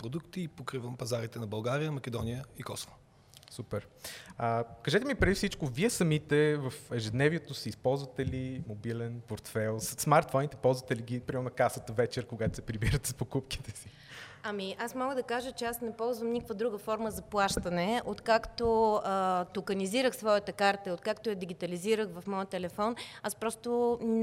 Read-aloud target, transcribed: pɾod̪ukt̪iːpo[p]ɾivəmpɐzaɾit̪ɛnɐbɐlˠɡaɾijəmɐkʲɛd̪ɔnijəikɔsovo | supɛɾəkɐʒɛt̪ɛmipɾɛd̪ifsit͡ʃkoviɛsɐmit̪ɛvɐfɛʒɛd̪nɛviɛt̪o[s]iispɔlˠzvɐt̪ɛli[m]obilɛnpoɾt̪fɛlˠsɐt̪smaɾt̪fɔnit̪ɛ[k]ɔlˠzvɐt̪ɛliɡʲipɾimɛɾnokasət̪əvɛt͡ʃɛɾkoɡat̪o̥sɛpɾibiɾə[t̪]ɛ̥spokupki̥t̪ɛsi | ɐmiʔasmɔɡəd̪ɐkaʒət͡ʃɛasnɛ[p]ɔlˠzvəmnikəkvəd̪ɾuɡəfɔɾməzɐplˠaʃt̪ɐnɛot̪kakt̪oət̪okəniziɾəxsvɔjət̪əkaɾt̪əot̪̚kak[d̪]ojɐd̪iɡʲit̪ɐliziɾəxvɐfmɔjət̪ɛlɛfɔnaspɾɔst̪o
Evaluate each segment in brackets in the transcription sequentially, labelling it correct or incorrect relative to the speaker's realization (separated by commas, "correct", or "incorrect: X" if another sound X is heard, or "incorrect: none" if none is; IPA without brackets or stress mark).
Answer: incorrect: k, correct, correct, incorrect: p, correct, correct, incorrect: t̪